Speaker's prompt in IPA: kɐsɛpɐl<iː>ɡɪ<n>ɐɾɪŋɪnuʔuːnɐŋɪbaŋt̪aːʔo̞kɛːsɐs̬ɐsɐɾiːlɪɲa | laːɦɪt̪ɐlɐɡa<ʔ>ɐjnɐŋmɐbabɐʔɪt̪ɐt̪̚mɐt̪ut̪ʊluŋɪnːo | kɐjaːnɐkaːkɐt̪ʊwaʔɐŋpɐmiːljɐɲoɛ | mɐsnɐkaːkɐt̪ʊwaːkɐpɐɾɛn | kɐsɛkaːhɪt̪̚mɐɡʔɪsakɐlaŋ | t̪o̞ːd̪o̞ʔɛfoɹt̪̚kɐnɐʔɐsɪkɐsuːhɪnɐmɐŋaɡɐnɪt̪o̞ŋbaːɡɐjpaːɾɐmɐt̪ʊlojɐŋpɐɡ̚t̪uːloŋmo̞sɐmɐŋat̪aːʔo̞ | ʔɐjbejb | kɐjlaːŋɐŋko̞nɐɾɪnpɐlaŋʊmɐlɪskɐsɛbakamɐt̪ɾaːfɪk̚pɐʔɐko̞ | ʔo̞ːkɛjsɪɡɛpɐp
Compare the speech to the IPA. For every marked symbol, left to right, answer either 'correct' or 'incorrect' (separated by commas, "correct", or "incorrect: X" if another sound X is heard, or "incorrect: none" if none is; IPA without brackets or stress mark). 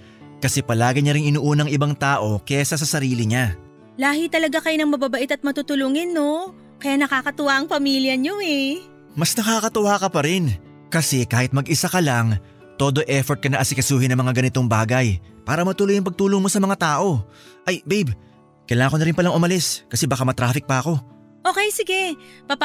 incorrect: aː, incorrect: ɲ, incorrect: k